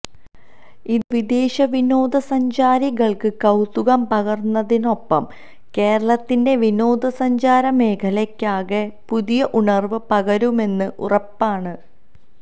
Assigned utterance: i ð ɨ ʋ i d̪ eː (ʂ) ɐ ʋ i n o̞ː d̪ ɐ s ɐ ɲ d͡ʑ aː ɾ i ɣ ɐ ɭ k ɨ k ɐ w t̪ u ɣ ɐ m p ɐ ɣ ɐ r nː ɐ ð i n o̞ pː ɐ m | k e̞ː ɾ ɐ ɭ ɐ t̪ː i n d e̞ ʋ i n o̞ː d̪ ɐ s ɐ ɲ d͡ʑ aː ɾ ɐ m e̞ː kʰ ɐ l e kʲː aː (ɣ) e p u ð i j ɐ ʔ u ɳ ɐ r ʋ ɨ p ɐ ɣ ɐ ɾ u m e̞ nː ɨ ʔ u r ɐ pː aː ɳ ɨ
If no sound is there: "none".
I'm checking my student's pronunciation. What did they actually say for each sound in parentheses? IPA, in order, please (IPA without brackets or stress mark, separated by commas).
ɕ, ɣ